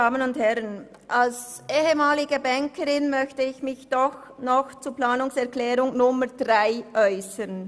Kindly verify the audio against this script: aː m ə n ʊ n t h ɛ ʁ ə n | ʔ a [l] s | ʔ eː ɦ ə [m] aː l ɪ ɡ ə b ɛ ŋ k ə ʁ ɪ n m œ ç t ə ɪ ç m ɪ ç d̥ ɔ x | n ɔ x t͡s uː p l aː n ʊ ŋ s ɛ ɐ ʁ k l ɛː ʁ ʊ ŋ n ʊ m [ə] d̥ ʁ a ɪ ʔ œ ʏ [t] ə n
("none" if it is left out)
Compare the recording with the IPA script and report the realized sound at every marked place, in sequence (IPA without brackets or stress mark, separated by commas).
l, m, ə, s